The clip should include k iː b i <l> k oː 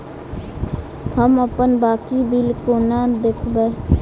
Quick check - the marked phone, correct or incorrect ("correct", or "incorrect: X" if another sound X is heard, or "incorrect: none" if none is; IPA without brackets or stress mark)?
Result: correct